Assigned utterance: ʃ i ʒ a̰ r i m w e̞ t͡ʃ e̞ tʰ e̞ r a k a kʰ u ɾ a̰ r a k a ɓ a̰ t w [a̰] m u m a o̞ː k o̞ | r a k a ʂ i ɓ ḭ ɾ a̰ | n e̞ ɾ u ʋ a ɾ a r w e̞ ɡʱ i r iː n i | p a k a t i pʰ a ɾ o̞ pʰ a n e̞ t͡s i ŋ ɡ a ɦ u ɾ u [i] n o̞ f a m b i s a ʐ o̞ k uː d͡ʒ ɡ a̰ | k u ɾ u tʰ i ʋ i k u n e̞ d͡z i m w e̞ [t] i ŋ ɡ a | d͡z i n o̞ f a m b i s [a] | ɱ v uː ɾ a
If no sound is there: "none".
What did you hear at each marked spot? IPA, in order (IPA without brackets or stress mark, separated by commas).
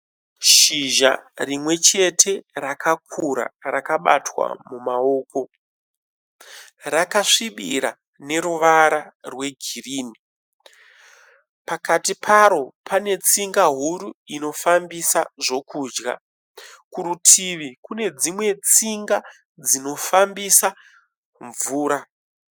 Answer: a̰, i, t͡s, a